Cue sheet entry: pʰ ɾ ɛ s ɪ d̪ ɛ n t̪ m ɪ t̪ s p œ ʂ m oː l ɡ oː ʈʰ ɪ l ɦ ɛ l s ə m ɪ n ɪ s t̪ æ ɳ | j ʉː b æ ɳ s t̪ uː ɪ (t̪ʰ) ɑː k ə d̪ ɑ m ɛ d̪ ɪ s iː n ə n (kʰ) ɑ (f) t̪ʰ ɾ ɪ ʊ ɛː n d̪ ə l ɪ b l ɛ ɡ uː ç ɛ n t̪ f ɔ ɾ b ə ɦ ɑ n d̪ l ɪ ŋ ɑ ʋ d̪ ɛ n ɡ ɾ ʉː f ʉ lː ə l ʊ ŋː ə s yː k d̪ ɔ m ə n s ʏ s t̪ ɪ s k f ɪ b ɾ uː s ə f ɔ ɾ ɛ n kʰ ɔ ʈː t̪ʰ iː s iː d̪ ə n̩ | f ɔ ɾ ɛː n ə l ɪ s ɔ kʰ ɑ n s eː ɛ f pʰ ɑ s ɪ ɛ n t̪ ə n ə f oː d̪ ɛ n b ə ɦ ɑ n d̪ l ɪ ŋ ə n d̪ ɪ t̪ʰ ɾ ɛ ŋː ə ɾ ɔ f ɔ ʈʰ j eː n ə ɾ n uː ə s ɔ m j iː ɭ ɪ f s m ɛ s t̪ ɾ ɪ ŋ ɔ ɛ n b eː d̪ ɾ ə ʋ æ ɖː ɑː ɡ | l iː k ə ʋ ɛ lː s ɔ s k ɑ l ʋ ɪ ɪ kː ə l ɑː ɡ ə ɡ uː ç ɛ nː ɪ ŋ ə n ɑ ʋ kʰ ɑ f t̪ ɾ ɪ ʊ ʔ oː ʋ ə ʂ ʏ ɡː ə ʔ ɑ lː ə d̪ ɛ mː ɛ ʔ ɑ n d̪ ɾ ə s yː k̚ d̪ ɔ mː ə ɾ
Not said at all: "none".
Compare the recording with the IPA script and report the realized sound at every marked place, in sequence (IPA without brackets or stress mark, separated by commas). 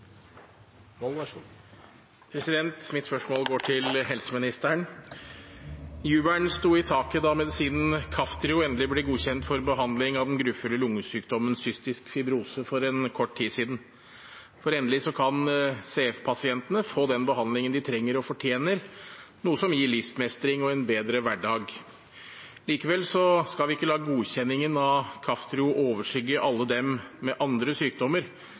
t̪ʰ, kʰ, f